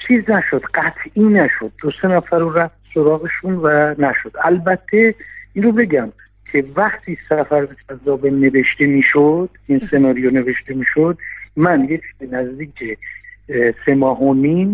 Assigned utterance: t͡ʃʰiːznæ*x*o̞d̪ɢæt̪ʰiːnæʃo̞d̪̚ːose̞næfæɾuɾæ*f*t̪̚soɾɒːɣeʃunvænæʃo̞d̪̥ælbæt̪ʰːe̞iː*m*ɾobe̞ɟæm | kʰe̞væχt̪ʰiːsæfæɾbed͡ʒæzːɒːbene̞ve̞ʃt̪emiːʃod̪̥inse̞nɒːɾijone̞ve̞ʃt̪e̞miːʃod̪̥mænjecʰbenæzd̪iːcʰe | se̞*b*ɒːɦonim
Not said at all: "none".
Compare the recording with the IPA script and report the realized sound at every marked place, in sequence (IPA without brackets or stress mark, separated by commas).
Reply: ʃ, f, n, m